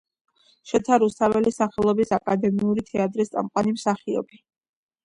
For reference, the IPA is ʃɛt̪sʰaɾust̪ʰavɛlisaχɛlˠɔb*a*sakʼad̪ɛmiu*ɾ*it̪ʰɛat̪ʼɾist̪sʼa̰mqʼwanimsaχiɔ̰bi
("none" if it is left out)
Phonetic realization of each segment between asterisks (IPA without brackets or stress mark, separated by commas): i, ɾ